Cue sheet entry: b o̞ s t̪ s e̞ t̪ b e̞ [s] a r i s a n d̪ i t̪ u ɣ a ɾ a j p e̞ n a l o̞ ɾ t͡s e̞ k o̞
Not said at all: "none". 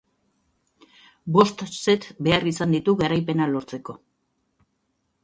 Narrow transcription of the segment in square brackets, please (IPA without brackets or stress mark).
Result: none